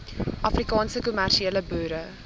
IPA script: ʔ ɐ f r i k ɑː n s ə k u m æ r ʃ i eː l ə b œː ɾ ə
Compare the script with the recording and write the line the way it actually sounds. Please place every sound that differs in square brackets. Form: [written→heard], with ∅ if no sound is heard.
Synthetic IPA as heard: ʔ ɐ f r i k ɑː n s ə k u m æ r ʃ i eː l ə b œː ɾ ə